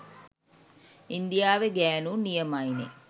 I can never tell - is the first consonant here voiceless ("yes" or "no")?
no